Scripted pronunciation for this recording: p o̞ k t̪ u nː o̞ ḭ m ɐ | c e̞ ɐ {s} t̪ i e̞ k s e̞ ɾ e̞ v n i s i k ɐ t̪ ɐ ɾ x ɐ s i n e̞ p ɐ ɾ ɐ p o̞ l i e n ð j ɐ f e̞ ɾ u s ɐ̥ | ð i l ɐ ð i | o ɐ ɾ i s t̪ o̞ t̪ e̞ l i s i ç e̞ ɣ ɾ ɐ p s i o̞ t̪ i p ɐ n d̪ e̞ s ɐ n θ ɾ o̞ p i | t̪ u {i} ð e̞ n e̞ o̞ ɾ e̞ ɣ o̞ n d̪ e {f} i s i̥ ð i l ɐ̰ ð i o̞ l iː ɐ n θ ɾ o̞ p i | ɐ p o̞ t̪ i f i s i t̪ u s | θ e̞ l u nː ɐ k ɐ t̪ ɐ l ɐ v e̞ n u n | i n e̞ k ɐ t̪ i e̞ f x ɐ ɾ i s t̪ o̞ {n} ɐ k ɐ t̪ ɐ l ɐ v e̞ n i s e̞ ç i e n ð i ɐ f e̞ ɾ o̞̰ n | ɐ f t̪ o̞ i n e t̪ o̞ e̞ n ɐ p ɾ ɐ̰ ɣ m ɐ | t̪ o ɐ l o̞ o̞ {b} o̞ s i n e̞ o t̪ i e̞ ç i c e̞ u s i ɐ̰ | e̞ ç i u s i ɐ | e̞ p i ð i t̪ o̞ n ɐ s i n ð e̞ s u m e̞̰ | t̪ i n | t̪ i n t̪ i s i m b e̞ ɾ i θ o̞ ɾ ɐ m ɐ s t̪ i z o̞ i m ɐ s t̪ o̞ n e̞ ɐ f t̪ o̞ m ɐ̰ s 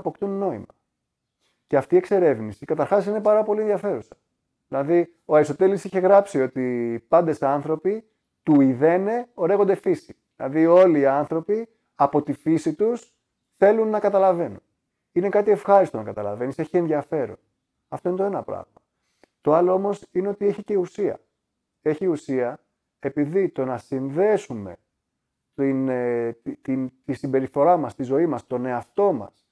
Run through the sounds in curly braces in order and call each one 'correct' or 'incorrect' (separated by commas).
incorrect, correct, correct, correct, incorrect